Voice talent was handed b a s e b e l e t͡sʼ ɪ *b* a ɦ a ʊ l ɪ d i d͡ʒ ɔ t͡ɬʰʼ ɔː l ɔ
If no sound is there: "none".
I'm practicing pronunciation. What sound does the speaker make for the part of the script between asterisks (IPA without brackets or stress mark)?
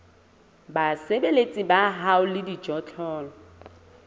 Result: b